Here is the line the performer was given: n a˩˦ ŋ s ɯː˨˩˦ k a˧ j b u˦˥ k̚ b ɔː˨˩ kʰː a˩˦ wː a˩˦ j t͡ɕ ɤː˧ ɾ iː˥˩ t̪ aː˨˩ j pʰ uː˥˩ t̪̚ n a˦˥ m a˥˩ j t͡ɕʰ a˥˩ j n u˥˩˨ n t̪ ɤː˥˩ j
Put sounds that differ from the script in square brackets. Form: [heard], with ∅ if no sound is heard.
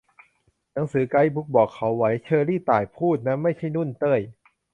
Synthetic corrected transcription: n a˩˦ ŋ s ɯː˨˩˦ k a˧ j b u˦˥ k̚ b ɔː˨˩ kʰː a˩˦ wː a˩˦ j [t͡ɕʰ] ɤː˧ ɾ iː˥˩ t̪ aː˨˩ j pʰ uː˥˩ t̪̚ n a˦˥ m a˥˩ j t͡ɕʰ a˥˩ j n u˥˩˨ n t̪ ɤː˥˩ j